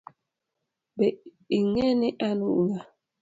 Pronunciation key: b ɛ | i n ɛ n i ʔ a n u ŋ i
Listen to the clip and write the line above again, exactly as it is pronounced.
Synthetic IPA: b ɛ | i ŋ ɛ n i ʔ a n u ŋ a

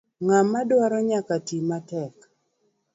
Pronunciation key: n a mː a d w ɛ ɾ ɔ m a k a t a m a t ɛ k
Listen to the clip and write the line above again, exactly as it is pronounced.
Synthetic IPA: ŋ a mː a d w a ɾ ɔ ɲ a k a t i m a t ɛ k

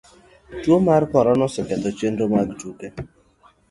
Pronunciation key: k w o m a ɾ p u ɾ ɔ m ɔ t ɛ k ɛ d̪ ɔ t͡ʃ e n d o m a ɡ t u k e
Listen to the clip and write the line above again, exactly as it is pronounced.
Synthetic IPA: t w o m a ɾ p ɔ ɾ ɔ n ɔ s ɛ k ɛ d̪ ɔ t͡ʃ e n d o m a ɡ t u k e

